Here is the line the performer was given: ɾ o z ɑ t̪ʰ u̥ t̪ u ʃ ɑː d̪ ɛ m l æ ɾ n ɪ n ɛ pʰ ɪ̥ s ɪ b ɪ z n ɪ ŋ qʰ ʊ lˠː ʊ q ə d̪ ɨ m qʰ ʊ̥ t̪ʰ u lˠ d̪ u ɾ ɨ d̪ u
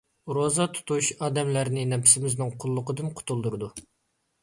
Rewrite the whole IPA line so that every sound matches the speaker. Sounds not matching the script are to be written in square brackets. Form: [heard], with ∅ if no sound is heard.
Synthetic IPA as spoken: ɾ o z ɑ t̪ʰ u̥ t̪ u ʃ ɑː d̪ ɛ m l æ ɾ n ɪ n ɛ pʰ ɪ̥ s ɪ [m] ɪ z n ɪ ŋ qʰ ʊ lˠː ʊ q ə d̪ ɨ m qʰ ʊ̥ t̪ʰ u lˠ d̪ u ɾ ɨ d̪ u